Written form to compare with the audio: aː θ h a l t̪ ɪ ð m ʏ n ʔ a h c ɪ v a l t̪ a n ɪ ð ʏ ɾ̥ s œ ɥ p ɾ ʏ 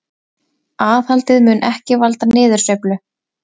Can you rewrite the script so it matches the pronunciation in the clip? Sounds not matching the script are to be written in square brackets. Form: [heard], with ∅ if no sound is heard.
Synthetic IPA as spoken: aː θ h a l t̪ ɪ ð m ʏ n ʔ [ɛ] h c ɪ v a l t̪ a n [ɪː] ð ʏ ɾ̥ s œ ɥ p [l] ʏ